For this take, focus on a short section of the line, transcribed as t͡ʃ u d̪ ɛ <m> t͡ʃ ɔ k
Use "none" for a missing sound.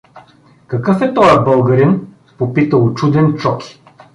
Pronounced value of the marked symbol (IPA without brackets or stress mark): n